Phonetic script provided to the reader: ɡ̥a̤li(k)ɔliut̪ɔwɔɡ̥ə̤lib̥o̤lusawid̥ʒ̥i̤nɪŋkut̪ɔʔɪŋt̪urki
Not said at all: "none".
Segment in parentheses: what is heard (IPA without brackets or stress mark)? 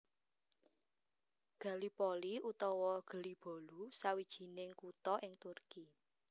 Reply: p